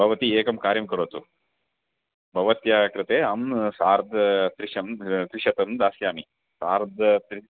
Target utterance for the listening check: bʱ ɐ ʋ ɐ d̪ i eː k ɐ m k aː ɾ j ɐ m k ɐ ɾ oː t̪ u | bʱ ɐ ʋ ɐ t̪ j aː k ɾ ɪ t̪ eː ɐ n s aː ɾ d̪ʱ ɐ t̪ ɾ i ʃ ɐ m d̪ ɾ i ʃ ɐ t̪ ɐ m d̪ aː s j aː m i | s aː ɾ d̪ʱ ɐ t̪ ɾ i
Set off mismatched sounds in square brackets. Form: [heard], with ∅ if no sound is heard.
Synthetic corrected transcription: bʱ ɐ ʋ ɐ [t̪] i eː k ɐ m k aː ɾ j ɐ m k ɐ ɾ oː t̪ u | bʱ ɐ ʋ ɐ t̪ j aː k ɾ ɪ t̪ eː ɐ [m] s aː ɾ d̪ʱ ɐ t̪ ɾ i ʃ ɐ m [t̪] ɾ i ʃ ɐ t̪ ɐ m d̪ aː s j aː m i | s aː ɾ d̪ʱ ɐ t̪ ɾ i